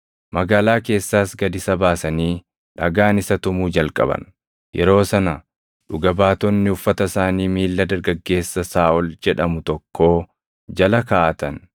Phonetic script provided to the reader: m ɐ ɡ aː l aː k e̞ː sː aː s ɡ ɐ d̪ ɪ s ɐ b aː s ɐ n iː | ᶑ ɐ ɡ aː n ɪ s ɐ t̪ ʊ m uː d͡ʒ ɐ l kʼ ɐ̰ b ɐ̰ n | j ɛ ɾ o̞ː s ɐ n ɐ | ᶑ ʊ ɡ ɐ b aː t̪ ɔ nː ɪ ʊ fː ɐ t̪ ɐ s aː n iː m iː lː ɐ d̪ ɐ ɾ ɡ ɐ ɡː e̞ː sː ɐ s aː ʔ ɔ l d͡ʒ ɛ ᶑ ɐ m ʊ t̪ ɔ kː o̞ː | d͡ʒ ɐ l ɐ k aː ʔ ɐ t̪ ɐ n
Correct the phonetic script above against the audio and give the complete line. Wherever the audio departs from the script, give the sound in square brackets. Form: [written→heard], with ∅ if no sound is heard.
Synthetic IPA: m ɐ ɡ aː l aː k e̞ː sː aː s ɡ ɐ d̪ ɪ s ɐ b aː s ɐ n iː | ᶑ ɐ ɡ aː n ɪ s ɐ t̪ ʊ m uː d͡ʒ ɐ l kʼ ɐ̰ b ɐ̰ n | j ɛ ɾ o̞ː s ɐ n ɐ | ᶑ ʊ ɡ ɐ b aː t̪ ɔ nː ɪ ʊ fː ɐ t̪ ɐ s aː n iː m iː lː ɐ d̪ ɐ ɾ ɡ ɐ ɡː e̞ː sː ɐ s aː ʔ ɔ l d͡ʒ ɛ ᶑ ɐ m ʊ t̪ ɔ kː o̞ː | d͡ʒ ɐ l ɐ k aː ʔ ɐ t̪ ɐ n